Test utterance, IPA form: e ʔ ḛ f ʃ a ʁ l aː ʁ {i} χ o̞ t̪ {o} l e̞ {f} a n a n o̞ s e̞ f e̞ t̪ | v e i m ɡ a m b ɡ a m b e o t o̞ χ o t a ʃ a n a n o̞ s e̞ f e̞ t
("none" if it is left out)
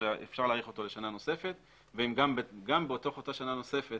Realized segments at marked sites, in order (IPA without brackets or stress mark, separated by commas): i, o, ʃ